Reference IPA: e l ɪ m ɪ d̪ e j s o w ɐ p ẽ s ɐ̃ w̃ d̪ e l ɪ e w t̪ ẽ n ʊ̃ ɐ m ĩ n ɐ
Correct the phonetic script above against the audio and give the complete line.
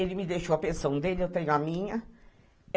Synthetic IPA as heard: e l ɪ m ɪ d̪ e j ʃ o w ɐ p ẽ s ɐ̃ w̃ d̪ e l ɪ e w t̪ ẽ ɲ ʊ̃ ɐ m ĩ ɲ ɐ